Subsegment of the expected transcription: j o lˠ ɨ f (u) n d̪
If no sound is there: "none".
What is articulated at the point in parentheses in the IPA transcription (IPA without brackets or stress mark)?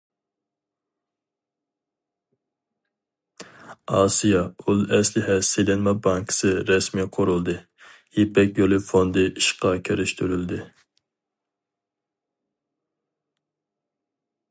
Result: o